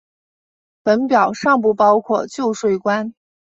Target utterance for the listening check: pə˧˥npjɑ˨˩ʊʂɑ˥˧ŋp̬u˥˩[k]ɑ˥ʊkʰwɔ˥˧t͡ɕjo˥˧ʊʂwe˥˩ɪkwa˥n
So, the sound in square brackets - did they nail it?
no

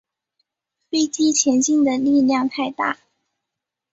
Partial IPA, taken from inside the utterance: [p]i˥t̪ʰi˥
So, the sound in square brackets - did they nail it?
yes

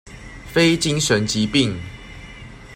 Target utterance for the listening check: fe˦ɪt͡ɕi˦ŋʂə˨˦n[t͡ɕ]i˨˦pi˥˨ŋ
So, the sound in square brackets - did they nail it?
yes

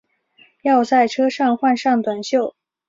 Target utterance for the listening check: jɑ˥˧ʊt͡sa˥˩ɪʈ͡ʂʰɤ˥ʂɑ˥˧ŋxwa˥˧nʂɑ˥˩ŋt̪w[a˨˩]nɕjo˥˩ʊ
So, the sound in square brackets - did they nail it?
yes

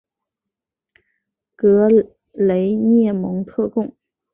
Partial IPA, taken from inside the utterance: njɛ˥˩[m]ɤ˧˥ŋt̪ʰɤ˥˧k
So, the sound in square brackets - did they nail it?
yes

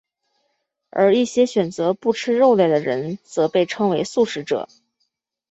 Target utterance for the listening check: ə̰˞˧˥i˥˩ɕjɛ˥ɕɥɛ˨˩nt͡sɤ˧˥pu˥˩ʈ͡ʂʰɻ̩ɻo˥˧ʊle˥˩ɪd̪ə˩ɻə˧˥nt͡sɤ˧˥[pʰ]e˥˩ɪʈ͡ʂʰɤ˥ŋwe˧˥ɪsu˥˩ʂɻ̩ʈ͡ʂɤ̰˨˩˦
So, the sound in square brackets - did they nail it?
no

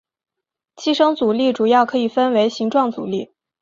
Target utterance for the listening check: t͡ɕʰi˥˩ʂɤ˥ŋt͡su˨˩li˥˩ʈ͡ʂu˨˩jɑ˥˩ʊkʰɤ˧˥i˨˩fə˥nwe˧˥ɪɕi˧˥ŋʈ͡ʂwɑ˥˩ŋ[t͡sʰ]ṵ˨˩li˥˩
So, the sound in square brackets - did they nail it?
no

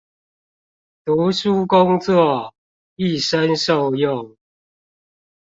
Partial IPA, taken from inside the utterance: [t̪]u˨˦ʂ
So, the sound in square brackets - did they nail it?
yes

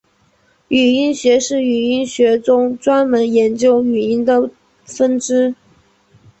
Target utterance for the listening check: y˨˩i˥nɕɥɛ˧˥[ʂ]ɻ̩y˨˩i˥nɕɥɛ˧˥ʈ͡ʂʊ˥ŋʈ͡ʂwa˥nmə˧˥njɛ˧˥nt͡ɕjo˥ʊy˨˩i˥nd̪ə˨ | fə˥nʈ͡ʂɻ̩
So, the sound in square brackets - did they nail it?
yes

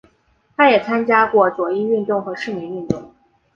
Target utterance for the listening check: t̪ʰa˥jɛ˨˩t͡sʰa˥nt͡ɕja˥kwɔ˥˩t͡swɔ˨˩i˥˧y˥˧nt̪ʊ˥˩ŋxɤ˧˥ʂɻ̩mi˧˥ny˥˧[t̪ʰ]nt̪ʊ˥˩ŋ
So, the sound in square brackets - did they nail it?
no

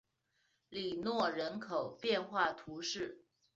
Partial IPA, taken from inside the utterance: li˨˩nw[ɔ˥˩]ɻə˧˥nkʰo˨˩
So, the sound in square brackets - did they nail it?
yes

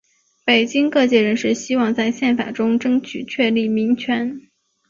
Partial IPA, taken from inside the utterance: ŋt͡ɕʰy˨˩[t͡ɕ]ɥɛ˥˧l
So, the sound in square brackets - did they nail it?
no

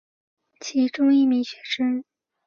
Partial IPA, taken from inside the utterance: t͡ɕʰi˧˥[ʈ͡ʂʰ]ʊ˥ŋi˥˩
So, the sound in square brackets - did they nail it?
no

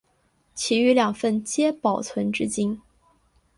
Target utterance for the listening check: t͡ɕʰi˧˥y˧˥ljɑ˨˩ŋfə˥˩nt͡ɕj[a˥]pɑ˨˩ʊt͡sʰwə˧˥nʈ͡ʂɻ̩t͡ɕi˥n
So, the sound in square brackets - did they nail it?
no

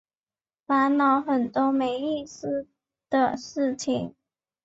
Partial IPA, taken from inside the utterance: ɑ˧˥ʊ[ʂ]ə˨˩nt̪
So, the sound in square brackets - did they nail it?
no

